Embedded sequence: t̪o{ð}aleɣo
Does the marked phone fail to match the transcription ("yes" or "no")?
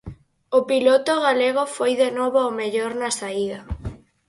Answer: yes